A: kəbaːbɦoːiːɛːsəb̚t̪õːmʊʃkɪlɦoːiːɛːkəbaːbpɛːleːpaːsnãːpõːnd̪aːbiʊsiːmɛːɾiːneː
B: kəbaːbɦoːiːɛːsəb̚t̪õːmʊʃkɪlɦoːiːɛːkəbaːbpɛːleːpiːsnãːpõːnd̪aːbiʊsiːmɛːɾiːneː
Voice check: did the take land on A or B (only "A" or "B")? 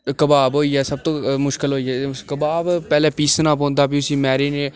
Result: B